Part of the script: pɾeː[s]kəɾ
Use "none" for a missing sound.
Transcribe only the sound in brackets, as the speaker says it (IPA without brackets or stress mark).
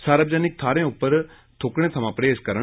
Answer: s